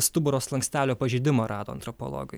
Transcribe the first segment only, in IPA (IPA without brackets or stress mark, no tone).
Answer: s